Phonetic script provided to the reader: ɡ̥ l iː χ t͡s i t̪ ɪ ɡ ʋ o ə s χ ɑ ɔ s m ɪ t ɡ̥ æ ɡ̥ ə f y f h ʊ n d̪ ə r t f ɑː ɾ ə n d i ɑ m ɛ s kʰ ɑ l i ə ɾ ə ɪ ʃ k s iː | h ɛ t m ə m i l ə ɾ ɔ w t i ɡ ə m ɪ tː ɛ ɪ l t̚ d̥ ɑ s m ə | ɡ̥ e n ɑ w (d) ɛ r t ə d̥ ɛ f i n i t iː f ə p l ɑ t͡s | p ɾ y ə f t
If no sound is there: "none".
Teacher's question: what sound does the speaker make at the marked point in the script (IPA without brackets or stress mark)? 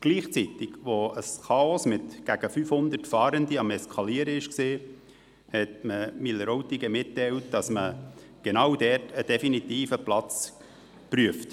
d